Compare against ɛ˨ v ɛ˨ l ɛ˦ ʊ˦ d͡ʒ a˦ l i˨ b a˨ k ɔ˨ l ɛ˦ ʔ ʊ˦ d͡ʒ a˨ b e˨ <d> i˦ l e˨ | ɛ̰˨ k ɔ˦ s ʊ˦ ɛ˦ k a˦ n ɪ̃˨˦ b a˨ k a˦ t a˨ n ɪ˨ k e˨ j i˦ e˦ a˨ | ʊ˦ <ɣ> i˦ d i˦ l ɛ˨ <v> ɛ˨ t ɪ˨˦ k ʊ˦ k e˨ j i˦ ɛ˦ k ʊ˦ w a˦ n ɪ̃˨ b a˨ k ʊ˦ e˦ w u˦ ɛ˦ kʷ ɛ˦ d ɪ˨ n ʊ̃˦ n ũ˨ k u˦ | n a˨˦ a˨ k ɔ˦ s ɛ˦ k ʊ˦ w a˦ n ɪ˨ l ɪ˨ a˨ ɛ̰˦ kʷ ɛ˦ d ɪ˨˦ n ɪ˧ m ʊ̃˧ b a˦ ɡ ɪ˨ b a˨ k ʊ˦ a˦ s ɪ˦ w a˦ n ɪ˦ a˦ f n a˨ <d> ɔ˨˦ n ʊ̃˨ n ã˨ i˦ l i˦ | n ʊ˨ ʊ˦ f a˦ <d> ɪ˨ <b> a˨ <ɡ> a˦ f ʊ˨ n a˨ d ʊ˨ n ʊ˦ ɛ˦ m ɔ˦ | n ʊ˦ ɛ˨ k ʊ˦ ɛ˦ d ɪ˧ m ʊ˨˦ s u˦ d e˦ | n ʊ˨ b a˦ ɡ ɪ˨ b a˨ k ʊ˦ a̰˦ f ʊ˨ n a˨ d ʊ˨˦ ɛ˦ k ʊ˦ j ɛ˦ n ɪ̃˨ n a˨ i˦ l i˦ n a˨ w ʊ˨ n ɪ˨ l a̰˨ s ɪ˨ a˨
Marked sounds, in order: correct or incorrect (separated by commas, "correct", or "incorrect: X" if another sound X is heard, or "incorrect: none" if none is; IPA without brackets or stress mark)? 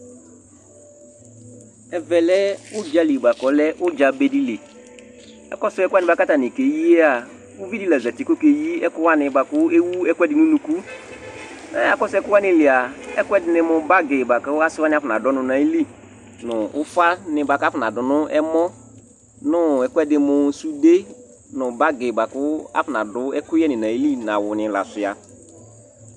correct, incorrect: v, incorrect: z, correct, incorrect: n, correct, incorrect: k